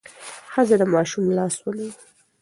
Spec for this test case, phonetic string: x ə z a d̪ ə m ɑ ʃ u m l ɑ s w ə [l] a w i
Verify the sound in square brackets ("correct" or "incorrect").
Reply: correct